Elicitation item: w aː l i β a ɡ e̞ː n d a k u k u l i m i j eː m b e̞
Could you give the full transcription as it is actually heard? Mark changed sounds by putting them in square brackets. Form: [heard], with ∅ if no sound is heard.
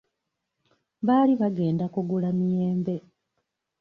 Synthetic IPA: [β] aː l i β a ɡ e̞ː n d a k u [ɡ] u l [a] m i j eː m b e̞